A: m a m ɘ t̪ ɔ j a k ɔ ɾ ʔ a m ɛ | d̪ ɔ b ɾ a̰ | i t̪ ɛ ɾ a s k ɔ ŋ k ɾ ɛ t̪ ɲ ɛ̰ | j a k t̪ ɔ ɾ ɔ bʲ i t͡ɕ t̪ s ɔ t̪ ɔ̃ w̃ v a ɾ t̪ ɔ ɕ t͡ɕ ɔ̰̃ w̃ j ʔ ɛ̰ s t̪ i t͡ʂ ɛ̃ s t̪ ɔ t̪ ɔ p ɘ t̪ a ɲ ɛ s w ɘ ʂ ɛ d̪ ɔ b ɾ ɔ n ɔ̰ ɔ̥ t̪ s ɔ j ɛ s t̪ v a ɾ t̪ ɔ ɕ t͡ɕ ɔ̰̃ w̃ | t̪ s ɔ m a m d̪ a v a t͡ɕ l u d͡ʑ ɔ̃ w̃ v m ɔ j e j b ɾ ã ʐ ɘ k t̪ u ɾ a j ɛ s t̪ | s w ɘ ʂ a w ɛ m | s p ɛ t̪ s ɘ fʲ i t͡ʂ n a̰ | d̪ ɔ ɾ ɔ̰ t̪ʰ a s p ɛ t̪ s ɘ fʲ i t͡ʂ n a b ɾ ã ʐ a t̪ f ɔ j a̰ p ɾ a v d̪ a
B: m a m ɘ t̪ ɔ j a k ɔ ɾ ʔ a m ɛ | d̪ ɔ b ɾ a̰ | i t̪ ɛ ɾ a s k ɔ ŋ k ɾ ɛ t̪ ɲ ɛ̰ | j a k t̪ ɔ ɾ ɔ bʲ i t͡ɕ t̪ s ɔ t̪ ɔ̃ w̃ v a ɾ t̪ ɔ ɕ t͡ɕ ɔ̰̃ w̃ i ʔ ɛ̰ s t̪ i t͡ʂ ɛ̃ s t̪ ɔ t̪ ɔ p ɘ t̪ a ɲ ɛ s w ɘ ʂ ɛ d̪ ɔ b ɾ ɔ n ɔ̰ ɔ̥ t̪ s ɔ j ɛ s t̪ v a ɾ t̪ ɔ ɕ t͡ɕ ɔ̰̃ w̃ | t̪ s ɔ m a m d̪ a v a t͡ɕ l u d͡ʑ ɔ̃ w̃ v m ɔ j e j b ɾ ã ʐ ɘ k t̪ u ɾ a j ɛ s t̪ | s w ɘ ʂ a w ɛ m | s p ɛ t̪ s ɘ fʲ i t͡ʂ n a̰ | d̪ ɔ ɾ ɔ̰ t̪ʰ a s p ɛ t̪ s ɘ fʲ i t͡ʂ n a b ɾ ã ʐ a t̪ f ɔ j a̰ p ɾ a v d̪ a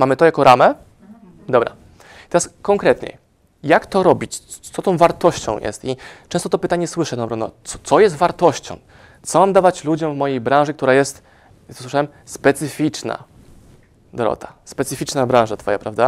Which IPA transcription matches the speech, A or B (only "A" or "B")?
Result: A